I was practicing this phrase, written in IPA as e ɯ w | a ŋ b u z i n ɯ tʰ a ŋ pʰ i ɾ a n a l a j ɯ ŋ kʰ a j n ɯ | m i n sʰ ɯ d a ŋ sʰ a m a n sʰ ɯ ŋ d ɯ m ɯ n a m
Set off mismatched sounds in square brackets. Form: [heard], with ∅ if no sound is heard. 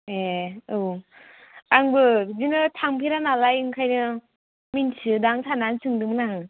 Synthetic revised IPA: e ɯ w | a ŋ b [ɯ] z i n ɯ tʰ a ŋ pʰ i ɾ a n a l a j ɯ ŋ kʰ a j n ɯ | m i n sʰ ɯ d a ŋ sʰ a [n] a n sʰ ɯ ŋ d ɯ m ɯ n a [ŋ]